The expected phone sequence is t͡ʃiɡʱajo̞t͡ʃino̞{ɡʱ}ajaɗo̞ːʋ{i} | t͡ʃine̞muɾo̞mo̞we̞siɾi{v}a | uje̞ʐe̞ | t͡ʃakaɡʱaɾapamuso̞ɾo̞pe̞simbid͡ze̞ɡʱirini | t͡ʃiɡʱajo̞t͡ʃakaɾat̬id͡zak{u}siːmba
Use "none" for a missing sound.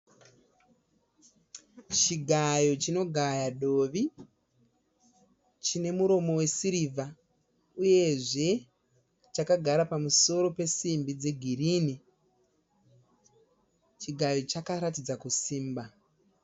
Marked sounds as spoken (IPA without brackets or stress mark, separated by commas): ɡʱ, i, v, u